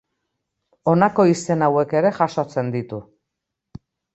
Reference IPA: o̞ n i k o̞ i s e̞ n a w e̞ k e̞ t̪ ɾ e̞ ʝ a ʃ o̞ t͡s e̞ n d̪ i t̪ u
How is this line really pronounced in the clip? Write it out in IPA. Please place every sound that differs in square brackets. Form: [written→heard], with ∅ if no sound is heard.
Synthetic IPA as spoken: o̞ n [i→a] k o̞ i s e̞ n a w e̞ k e̞ [t̪→∅] ɾ e̞ ʝ a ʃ o̞ t͡s e̞ n d̪ i t̪ u

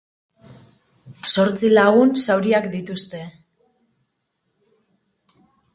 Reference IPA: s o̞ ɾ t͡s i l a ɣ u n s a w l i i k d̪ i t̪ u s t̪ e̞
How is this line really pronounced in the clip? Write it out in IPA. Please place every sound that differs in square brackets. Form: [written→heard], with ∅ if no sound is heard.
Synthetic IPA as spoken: s o̞ ɾ t͡s i l a ɣ u n s a w [l→ɾ] i [i→a] k d̪ i t̪ u s t̪ e̞

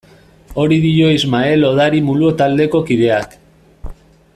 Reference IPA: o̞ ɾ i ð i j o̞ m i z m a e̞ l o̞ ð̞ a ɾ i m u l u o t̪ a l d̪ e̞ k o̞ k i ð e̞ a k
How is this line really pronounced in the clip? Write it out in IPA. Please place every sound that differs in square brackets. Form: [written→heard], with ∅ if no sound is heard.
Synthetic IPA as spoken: o̞ ɾ i ð i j o̞ [m→∅] i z m a e̞ l o̞ ð̞ a ɾ i m u l u o t̪ a l d̪ e̞ k o̞ k i ð e̞ a k

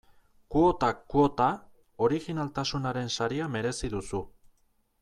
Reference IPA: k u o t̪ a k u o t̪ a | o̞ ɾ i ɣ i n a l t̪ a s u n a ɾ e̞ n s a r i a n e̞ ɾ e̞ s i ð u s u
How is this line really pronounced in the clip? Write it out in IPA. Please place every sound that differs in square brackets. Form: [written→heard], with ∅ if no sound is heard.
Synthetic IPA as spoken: k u o t̪ a k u o t̪ a | o̞ ɾ i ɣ i n a l t̪ a s u n a ɾ e̞ n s a [r→ɾ] i a [n→m] e̞ ɾ e̞ s i ð u s u

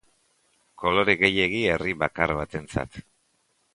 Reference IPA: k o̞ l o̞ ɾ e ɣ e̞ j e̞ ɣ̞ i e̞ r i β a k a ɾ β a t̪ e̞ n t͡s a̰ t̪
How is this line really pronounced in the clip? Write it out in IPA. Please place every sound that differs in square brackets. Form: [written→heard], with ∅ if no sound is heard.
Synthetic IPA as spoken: k o̞ l o̞ ɾ e ɣ e̞ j e̞ ɣ̞ i e̞ r i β a k a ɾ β a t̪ e̞ n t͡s a̰ t̪

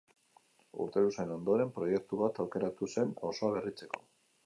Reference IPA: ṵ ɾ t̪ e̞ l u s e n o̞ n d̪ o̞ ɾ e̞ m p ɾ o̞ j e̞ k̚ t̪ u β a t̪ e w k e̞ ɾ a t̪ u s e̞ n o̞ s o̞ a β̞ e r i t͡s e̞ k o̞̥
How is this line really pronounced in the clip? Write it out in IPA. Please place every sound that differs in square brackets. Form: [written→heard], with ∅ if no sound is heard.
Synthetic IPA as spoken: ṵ ɾ t̪ e̞ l u s e n o̞ n d̪ o̞ ɾ e̞ m p ɾ o̞ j e̞ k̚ t̪ u β a t̪ [e→a] w k e̞ ɾ a t̪ u s e̞ n o̞ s o̞ a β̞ e r i t͡s e̞ k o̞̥

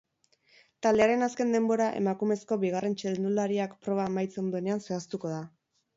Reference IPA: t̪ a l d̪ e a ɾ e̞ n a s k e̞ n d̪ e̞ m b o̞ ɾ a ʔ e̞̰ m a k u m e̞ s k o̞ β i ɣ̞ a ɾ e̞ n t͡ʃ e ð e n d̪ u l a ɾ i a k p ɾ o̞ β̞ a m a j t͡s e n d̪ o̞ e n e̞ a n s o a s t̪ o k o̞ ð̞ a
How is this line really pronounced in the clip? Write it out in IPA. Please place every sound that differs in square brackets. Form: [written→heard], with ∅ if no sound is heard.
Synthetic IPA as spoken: t̪ a l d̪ e a ɾ e̞ n a s k e̞ n d̪ e̞ m b o̞ ɾ a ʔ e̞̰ m a k u m e̞ s k o̞ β i ɣ̞ a [ɾ→r] e̞ n t͡ʃ e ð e n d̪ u l a ɾ i a k p ɾ o̞ β̞ a m a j t͡s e n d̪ o̞ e n e̞ a n s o a s t̪ [o→u] k o̞ ð̞ a

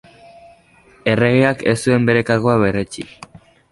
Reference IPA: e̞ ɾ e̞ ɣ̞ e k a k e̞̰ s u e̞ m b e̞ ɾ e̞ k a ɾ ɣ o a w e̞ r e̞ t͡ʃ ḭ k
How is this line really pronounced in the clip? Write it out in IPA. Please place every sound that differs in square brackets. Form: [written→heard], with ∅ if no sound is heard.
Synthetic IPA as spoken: e̞ [ɾ→r] e̞ ɣ̞ e [k→∅] a k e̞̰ s u e̞ m b e̞ ɾ e̞ k a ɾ ɣ o a [w→β] e̞ r e̞ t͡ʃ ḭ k

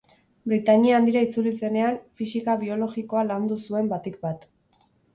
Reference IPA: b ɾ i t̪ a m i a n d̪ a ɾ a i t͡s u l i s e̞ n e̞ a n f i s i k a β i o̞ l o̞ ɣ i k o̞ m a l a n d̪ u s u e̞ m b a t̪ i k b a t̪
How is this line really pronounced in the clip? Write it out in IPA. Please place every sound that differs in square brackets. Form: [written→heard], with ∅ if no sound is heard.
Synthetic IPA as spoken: b ɾ i t̪ a [m→ɲ] i a n d̪ [a→i] ɾ a i t͡s u l i s e̞ n e̞ a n f i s i k a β i o̞ l o̞ ɣ i k o̞ [m→∅] a l a n d̪ u s u e̞ m b a t̪ i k b a t̪

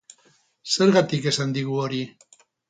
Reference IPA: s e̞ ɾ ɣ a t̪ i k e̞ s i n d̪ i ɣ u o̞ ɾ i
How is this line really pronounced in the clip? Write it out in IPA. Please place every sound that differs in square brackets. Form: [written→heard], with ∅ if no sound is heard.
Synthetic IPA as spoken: s e̞ ɾ ɣ a t̪ i k e̞ s [i→a] n d̪ i ɣ u o̞ ɾ i

